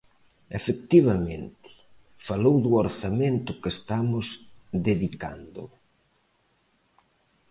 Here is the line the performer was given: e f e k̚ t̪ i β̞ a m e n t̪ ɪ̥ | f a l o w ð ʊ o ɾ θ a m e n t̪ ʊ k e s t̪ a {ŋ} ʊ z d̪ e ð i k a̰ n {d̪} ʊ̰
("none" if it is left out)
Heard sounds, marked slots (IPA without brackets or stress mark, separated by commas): m, d̪